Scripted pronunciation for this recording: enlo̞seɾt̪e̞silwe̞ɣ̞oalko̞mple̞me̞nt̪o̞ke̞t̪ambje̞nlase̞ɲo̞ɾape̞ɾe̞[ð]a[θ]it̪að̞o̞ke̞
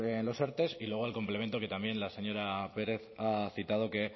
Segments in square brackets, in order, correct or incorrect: incorrect: θ, correct

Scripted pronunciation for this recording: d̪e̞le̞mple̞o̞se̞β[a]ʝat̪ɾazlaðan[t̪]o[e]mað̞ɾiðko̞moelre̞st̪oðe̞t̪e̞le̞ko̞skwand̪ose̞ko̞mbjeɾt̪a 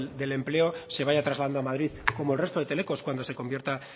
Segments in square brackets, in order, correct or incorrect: correct, incorrect: d̪, incorrect: a

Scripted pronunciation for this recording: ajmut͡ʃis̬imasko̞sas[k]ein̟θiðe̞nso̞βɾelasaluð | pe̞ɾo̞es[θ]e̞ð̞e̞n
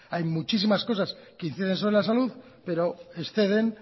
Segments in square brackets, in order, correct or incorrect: correct, correct

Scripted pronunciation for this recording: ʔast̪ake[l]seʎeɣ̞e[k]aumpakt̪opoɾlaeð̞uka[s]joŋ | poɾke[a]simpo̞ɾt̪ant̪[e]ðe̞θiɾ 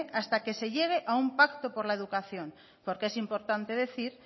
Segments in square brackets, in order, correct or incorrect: incorrect: none, incorrect: ʔ, incorrect: θ, incorrect: e, correct

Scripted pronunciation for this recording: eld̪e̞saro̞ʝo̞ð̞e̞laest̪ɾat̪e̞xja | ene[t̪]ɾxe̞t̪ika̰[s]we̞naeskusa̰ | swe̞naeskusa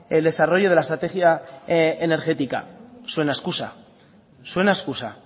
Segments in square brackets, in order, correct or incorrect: incorrect: none, correct

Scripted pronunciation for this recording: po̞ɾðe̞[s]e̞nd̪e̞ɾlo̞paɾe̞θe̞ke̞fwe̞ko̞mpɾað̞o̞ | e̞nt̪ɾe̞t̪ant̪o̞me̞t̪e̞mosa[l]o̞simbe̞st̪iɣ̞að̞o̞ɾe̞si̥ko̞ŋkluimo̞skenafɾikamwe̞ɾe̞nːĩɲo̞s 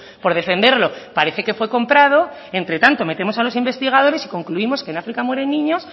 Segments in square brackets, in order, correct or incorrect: incorrect: f, correct

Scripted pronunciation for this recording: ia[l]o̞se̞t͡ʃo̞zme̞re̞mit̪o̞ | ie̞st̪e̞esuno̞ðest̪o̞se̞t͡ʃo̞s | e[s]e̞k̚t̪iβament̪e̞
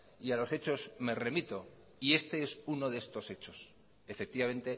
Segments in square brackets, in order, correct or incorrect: correct, incorrect: f

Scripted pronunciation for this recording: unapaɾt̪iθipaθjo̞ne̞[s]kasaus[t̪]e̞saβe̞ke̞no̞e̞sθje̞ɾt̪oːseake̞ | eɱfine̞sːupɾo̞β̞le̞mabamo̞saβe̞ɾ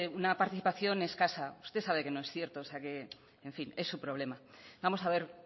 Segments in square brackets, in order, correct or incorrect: correct, correct

